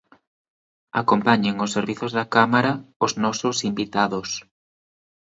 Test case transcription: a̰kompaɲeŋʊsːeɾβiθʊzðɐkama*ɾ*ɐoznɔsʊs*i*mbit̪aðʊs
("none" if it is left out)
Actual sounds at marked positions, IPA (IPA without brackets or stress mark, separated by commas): ɾ, i